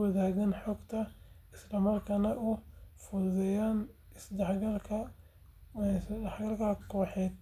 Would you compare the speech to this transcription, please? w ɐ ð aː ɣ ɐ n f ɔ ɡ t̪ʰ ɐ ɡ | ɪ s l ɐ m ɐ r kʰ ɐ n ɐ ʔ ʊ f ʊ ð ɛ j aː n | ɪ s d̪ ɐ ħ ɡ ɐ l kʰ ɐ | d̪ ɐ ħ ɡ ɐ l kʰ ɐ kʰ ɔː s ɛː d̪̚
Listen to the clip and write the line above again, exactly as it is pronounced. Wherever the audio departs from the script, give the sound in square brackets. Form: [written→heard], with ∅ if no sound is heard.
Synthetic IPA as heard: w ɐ ð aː ɣ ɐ n [f→ħ] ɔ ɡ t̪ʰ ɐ [ɡ→∅] | ɪ s l ɐ m ɐ r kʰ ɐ n ɐ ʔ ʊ f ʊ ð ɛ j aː n | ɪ s d̪ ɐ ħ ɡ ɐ l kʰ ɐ | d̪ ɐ ħ ɡ ɐ l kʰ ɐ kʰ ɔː [s→ħ] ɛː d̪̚